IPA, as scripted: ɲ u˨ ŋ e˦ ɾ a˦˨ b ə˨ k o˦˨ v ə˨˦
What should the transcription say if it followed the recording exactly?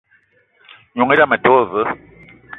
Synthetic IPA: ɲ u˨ ŋ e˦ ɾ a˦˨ m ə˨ t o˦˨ v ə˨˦